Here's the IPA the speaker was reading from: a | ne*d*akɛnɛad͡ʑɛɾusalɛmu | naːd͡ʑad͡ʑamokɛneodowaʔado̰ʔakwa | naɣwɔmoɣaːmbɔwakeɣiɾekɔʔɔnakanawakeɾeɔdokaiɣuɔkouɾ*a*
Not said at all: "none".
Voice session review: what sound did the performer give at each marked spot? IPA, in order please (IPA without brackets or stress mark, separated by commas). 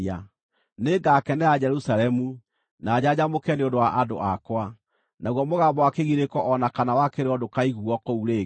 ɡ, e